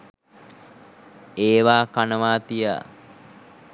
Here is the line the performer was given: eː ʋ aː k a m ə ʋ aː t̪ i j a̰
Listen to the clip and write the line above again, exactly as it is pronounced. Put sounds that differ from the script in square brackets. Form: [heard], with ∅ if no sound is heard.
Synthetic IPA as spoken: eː ʋ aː k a [n] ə ʋ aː t̪ i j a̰